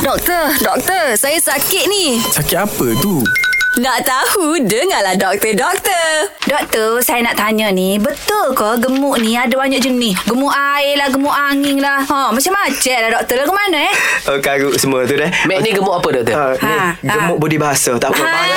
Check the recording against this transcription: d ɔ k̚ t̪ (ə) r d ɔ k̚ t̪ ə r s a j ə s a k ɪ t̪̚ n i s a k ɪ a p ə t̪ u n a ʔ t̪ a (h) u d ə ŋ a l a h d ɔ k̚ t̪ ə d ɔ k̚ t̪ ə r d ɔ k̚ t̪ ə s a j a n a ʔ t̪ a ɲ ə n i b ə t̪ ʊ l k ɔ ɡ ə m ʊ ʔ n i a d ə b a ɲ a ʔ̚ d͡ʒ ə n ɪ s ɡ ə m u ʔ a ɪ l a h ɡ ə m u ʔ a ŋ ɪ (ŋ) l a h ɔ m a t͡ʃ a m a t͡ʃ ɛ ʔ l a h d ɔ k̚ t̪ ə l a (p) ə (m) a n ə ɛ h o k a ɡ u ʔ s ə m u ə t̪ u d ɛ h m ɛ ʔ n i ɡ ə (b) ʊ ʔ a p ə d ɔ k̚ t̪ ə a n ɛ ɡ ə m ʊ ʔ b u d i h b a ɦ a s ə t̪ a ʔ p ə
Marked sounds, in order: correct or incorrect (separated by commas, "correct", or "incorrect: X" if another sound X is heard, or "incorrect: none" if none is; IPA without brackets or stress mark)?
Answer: correct, correct, correct, incorrect: k, correct, incorrect: m